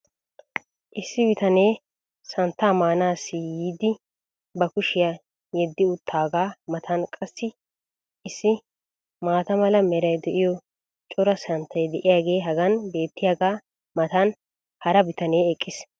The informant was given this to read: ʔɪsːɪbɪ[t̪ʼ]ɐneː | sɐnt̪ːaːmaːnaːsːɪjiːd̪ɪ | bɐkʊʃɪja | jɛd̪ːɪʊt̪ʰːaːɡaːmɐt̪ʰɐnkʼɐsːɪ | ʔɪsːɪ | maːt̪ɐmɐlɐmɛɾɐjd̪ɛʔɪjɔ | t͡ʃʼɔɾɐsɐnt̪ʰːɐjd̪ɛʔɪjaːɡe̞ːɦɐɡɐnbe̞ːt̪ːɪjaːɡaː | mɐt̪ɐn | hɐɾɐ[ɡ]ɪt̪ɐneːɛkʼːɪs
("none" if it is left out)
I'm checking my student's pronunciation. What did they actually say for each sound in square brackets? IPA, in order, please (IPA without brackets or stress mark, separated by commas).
t̪, b